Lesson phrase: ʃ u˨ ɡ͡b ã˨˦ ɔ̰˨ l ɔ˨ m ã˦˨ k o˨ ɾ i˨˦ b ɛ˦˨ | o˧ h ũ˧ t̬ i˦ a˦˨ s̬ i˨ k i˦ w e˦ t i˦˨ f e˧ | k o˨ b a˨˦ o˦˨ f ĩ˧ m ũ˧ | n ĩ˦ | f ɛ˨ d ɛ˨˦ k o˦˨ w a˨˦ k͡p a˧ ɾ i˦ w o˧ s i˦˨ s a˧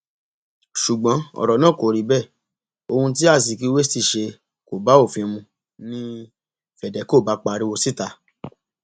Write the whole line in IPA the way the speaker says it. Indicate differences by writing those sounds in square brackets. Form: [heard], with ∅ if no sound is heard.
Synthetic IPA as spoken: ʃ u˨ ɡ͡b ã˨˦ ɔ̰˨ [ɾ] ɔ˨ [n] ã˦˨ k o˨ ɾ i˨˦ b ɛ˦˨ | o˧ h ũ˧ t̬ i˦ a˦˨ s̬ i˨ k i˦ w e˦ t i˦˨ [ʃ] e˧ | k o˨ b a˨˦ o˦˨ f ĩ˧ m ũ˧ | n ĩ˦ | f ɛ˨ d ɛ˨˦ k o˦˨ [b] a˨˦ k͡p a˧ ɾ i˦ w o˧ s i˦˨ [t] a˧

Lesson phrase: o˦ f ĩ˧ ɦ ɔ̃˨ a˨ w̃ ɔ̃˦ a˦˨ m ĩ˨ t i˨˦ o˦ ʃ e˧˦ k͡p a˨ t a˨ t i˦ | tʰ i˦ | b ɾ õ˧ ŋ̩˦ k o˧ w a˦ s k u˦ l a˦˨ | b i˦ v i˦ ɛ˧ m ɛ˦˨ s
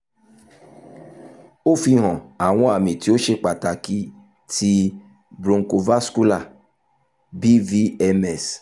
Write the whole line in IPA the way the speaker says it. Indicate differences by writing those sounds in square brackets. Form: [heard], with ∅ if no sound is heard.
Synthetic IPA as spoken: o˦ f [i˧] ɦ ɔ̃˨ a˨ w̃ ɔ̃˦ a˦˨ m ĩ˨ t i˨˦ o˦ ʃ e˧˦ k͡p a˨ t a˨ [k] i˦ | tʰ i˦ | b ɾ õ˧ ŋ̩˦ k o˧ [v] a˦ s k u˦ l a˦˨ | b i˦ v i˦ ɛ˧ m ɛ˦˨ s

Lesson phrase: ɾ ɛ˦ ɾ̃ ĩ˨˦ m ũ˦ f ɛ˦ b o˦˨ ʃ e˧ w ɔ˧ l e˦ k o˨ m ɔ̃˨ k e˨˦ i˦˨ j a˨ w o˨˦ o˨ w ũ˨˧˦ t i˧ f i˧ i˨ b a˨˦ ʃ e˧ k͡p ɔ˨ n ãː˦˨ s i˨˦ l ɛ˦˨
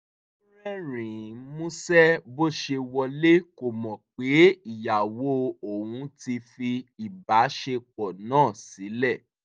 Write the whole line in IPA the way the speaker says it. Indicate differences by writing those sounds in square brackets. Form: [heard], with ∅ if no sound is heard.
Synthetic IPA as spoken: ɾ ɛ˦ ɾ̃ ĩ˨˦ m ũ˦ [s] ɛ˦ b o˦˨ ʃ e˧ w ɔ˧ l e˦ k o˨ m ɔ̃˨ [k͡p] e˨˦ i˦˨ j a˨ w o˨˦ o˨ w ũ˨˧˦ t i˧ f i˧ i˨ b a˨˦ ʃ e˧ k͡p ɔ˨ n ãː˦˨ s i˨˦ l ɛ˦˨

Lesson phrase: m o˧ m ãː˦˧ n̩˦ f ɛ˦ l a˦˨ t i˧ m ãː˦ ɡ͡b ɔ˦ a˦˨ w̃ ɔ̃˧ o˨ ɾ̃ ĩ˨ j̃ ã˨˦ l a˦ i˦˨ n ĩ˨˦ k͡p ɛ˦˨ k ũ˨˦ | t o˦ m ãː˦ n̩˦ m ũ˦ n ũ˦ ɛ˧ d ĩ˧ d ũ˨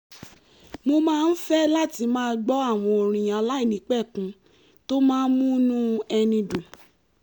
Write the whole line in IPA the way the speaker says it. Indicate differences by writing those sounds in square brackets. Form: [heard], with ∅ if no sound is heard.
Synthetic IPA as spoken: m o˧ m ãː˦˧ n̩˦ f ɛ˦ l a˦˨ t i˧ m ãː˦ ɡ͡b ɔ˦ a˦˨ w̃ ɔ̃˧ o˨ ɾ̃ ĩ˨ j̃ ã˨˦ l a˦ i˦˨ n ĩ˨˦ k͡p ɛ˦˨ k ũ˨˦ | t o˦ m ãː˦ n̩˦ m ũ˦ n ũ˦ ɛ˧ [n] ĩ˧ d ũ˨

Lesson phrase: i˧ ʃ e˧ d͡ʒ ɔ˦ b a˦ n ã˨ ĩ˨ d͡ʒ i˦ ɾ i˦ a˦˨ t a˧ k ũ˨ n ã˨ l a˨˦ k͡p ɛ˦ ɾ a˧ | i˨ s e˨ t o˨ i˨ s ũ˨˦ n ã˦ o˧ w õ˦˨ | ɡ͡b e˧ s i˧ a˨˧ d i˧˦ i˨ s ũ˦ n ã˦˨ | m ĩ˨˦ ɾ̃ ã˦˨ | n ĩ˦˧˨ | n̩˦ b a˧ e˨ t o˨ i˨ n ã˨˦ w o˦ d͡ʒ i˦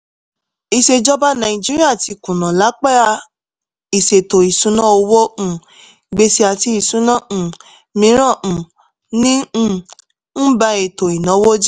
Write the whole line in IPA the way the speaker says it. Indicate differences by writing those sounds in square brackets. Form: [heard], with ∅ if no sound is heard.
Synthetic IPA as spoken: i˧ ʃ e˧ d͡ʒ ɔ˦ b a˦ n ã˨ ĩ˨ d͡ʒ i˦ ɾ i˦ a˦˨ t [i˧] k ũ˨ n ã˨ l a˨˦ k͡p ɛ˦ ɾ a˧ | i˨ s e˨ t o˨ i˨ s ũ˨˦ n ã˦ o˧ w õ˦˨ | ɡ͡b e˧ s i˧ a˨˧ [t] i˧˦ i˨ s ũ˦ n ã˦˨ | m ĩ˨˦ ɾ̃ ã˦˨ | n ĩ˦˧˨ | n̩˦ b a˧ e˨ t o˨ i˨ n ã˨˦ w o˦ d͡ʒ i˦

